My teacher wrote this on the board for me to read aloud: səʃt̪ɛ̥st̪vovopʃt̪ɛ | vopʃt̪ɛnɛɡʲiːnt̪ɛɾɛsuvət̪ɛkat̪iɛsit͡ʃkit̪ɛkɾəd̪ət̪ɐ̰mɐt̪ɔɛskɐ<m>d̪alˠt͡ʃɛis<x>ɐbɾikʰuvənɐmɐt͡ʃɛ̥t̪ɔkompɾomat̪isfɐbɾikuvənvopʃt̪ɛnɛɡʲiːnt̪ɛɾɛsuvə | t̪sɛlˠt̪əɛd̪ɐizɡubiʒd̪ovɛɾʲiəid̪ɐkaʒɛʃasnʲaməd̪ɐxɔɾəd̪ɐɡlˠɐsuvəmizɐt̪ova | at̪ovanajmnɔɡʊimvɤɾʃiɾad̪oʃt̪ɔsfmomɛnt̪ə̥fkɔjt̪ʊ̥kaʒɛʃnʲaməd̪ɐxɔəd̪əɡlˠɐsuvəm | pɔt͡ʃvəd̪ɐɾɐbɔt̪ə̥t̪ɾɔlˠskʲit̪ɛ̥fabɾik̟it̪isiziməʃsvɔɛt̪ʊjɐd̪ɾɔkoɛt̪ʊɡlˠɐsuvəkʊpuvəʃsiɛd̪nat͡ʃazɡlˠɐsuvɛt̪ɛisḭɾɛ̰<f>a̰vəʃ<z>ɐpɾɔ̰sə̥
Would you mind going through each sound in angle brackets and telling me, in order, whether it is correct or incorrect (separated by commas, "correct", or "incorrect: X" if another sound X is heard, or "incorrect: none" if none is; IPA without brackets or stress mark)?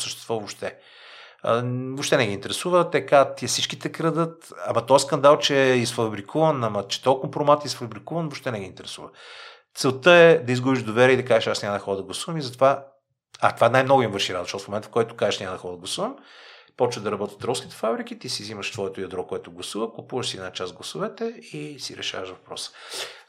incorrect: n, incorrect: f, incorrect: ʃ, incorrect: v